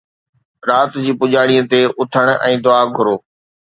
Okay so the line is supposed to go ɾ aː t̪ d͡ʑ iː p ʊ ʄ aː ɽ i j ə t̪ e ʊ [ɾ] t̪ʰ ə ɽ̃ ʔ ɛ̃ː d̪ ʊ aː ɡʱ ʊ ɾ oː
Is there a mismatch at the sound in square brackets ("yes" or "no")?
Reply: yes